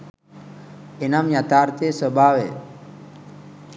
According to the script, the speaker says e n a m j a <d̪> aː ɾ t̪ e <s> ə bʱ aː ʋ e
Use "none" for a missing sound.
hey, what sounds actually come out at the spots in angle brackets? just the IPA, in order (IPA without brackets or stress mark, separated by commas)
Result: t̪, s